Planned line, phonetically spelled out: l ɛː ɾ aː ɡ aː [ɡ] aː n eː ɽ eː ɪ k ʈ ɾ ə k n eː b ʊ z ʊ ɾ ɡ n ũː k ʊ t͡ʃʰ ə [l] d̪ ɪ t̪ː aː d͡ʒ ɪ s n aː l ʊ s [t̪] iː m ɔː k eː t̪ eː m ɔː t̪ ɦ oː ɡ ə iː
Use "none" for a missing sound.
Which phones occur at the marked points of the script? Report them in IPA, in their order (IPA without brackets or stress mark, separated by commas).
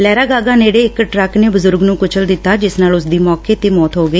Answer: ɡ, l, d̪